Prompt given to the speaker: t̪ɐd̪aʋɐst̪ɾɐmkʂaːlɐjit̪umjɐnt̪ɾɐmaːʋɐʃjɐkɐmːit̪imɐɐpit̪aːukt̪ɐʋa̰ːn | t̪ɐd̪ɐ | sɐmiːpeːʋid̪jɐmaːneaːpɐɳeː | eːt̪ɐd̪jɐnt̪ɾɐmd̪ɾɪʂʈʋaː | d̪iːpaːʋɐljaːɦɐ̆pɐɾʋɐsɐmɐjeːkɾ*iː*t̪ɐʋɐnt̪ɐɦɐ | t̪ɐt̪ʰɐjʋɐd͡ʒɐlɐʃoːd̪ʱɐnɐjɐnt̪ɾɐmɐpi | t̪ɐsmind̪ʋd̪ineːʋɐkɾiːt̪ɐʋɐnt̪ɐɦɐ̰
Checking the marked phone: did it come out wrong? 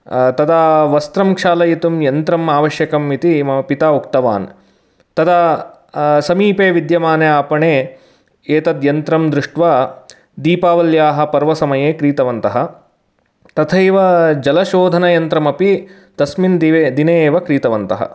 no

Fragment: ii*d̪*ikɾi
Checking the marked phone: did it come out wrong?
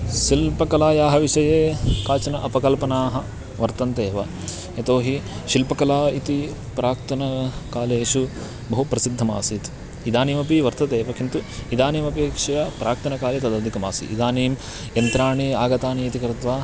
yes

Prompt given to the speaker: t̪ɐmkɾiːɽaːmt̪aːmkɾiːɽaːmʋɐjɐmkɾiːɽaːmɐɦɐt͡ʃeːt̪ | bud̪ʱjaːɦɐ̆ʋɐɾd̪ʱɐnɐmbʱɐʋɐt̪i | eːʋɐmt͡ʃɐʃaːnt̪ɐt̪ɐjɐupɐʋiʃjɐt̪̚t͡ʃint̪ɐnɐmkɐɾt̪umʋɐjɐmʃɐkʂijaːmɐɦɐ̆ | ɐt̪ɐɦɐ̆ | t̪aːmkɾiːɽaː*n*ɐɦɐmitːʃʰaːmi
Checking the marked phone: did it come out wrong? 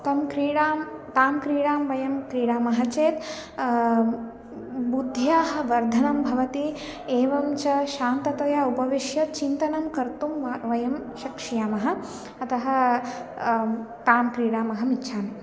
yes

